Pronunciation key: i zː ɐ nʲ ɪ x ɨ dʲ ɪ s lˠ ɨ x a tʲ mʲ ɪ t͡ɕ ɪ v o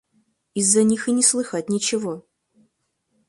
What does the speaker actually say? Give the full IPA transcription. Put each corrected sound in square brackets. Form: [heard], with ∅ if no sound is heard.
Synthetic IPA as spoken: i zː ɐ nʲ [i] x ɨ [nʲ] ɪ s lˠ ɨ x a tʲ [nʲ] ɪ t͡ɕ ɪ v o